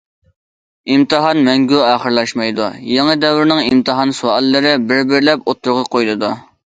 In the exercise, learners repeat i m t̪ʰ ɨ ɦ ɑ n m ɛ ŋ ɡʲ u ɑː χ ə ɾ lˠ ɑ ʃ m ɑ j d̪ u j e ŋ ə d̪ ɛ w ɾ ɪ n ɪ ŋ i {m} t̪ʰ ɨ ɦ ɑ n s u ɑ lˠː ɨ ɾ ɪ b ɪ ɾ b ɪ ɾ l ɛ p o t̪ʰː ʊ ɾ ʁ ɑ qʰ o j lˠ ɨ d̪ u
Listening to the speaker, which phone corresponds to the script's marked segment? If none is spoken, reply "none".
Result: m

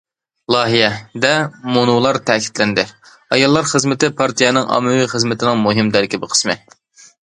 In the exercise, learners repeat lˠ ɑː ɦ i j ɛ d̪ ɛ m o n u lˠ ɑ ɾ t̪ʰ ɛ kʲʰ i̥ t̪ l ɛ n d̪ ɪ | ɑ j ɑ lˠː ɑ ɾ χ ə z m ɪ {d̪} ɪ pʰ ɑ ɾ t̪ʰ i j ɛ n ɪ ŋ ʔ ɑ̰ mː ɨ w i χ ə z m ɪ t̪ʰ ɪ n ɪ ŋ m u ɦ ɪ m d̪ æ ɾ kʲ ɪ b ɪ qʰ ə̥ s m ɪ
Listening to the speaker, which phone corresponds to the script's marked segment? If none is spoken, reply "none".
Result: t̪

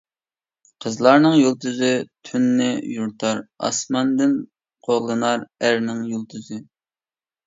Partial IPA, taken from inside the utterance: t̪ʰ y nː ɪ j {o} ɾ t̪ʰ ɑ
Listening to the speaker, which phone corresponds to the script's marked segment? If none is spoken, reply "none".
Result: u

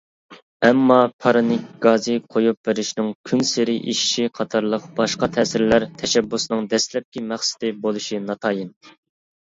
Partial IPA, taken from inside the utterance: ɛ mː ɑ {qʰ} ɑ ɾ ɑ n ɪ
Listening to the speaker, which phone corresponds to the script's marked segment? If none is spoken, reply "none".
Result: pʰ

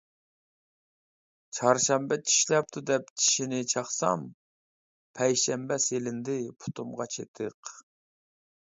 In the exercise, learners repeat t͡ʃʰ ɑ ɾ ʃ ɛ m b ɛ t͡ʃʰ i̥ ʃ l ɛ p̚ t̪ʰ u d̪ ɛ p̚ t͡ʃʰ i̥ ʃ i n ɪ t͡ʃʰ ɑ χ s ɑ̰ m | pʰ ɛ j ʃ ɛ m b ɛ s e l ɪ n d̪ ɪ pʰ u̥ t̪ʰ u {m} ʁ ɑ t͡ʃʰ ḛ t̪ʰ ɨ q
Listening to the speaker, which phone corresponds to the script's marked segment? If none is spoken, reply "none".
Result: m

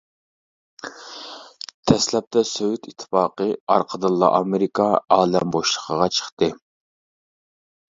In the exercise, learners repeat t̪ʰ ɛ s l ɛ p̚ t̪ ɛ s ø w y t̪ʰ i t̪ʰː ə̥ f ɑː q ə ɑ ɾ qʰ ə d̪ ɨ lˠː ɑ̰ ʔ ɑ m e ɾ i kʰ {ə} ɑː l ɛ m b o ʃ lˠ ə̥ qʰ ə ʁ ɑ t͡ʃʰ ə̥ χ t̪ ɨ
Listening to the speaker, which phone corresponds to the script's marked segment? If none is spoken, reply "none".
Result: ɑ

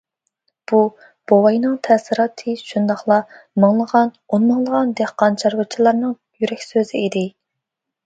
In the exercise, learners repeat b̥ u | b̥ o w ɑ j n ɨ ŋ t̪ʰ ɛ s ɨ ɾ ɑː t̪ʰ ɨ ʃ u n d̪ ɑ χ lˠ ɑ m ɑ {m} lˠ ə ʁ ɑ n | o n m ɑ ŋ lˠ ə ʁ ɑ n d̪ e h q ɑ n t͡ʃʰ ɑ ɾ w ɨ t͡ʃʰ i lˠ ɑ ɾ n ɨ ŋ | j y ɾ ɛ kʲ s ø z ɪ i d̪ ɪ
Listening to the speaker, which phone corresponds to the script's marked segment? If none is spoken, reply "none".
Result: ŋ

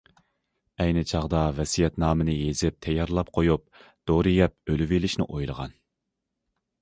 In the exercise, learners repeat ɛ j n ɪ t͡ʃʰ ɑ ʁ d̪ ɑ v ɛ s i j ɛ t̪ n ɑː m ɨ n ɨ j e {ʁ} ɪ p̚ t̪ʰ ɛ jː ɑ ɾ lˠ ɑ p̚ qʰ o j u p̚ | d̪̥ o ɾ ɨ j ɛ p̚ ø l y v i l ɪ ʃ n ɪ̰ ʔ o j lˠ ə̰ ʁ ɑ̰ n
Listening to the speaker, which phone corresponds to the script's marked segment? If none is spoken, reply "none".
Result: z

